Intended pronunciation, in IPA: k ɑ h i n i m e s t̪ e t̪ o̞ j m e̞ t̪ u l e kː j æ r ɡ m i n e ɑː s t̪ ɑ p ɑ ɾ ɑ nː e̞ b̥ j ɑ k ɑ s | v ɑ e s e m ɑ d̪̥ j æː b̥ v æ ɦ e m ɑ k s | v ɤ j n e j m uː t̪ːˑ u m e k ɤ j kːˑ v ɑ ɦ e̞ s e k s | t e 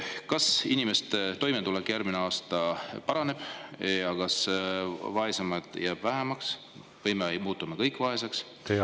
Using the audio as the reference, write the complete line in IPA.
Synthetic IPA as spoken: k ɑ s i n i m e s t̪ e t̪ o̞ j m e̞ t̪ u l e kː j æ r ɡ m i n e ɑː s t̪ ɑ p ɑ ɾ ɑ n e̞ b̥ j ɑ k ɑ s | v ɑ e s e m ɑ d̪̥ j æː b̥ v æ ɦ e m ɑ k s | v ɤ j m e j m uː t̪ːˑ u m e k ɤ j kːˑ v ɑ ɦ e̞ s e k s | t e